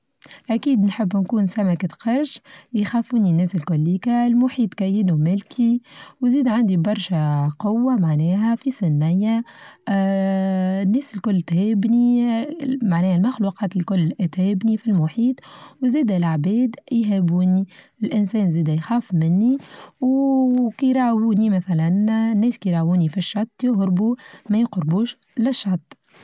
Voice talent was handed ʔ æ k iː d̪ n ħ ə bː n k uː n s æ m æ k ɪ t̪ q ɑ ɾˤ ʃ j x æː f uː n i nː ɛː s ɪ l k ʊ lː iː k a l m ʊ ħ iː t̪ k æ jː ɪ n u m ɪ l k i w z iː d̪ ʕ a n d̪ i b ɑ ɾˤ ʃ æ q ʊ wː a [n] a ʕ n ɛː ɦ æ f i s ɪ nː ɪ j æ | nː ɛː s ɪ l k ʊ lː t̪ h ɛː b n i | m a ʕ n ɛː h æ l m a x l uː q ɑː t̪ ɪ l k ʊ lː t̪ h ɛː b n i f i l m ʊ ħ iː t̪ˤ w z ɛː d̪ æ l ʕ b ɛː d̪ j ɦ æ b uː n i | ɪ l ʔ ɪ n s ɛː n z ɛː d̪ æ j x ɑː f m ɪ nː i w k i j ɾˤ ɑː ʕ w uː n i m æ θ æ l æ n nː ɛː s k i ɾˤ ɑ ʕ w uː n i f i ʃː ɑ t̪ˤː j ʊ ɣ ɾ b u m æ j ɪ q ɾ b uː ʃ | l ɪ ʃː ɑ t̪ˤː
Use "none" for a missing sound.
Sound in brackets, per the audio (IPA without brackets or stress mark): m